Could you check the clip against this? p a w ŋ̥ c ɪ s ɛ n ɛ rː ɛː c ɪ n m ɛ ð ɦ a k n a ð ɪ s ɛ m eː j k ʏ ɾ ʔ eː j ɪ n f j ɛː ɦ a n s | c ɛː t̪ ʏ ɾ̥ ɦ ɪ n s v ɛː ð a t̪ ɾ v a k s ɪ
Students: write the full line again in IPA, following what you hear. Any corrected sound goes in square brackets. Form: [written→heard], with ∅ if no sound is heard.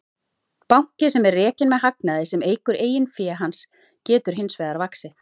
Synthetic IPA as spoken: p a w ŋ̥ c ɪ s ɛ [n→m] ɛ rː ɛː c ɪ n m ɛ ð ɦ a k n a ð ɪ s ɛ m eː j k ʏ ɾ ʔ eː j ɪ n f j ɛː ɦ a n s | c ɛː t̪ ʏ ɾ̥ ɦ ɪ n s v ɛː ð a [t̪→∅] ɾ v a k s ɪ